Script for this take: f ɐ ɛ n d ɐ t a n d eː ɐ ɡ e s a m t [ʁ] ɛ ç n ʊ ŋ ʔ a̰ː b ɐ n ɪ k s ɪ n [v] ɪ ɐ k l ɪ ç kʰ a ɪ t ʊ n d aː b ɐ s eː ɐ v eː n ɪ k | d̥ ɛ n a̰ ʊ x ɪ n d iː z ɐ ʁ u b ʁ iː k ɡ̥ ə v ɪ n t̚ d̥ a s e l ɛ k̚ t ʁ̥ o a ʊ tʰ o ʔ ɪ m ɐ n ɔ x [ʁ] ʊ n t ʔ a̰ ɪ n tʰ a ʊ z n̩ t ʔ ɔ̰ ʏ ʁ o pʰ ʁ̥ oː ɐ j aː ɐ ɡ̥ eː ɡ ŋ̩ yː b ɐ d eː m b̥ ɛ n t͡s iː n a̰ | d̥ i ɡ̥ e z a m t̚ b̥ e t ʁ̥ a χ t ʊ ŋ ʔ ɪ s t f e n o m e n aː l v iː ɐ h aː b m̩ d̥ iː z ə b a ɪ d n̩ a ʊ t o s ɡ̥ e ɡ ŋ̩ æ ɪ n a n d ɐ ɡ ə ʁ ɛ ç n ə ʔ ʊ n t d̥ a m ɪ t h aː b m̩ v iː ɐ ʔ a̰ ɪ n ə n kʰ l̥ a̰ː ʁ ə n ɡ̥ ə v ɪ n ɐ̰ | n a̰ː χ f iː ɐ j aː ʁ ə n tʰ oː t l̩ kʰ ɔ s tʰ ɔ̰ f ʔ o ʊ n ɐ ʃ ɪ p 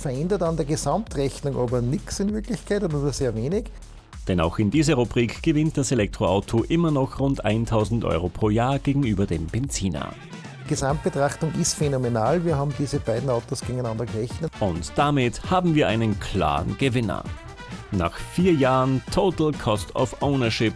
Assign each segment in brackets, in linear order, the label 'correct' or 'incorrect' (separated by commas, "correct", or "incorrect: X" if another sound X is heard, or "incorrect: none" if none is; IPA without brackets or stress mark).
correct, correct, correct